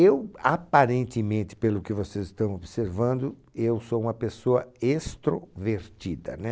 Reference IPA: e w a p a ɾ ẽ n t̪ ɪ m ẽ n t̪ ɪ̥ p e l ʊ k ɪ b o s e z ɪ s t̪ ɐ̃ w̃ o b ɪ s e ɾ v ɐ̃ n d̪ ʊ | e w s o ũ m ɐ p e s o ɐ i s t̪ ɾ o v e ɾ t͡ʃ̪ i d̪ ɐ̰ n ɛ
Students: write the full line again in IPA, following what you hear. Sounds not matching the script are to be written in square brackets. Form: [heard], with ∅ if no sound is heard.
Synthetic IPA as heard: e w a p a ɾ ẽ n t̪ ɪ m ẽ n t̪ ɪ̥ p e l ʊ k ɪ [v] o s e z ɪ s t̪ ɐ̃ w̃ o b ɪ s e ɾ v ɐ̃ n d̪ ʊ | e w s o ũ m ɐ p e s o ɐ [e] s t̪ ɾ o v e ɾ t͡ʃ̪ i d̪ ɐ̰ n ɛ